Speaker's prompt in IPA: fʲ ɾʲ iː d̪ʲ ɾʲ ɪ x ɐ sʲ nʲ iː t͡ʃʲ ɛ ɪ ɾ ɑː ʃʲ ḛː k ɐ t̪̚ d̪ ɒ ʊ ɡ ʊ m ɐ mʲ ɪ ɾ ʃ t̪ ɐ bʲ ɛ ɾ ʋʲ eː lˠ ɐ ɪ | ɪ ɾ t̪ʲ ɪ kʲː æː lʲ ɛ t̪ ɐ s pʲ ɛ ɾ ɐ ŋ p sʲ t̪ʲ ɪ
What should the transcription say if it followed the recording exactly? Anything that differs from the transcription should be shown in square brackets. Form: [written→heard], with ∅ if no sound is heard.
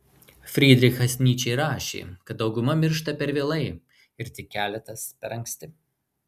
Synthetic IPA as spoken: fʲ ɾʲ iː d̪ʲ ɾʲ ɪ x ɐ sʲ nʲ iː t͡ʃʲ ɛ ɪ ɾ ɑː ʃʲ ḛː k ɐ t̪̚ d̪ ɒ ʊ ɡ ʊ m ɐ mʲ ɪ ɾ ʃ t̪ ɐ [bʲ→pʲ] ɛ ɾ ʋʲ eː lˠ ɐ ɪ | ɪ ɾ t̪ʲ ɪ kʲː æː lʲ ɛ t̪ ɐ s pʲ ɛ ɾ ɐ ŋ [p→k] sʲ t̪ʲ ɪ